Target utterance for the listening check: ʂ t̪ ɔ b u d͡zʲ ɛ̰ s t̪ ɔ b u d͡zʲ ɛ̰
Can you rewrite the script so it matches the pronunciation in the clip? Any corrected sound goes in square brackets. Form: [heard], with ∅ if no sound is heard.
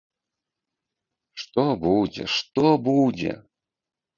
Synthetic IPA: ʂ t̪ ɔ b u d͡zʲ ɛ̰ [ʂ] t̪ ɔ b u d͡zʲ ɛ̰